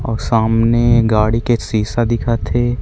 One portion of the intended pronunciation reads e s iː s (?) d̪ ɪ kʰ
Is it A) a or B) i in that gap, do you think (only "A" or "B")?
A